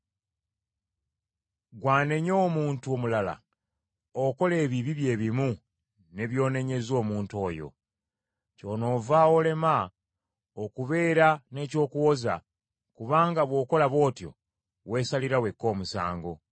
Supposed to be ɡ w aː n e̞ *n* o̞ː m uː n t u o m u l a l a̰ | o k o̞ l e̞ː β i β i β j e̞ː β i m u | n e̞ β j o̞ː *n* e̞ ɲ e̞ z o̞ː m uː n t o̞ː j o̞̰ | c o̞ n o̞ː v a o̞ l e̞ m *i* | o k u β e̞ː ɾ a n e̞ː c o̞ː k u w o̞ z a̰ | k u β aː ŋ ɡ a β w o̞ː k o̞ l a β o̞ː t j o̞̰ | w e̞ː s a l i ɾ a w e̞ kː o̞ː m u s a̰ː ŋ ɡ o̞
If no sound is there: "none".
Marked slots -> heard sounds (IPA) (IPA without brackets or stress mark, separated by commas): ɲ, n, a